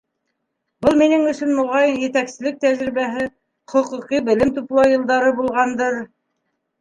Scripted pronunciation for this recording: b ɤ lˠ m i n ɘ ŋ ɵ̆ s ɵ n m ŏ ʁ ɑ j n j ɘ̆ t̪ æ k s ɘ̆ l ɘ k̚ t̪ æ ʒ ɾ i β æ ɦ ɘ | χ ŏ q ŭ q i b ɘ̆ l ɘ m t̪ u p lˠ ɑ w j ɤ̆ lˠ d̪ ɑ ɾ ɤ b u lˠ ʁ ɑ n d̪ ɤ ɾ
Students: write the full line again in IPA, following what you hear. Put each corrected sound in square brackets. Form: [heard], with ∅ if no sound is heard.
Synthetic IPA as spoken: b ɤ lˠ m i n ɘ ŋ ɵ̆ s ɵ n m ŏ ʁ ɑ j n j ɘ̆ t̪ æ k s ɘ̆ l ɘ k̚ t̪ æ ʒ ɾ i β æ ɦ ɘ | χ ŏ q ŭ q i b ɘ̆ l ɘ m t̪ u p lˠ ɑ w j ɤ̆ lˠ d̪ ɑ ɾ ɤ b u lˠ ʁ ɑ n d̪ ɤ ɾ